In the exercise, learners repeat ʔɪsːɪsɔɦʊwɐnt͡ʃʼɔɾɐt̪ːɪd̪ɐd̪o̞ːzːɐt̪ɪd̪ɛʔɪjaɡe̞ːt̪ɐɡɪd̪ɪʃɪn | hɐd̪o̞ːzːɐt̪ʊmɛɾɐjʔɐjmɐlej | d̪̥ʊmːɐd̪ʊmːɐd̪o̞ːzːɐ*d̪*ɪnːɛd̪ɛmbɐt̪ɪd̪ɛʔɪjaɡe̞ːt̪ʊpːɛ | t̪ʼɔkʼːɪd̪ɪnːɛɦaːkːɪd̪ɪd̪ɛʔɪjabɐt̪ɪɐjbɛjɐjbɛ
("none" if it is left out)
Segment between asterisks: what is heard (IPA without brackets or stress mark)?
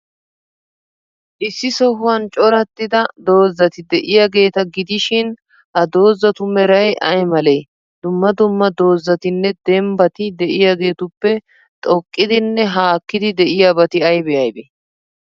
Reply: t̪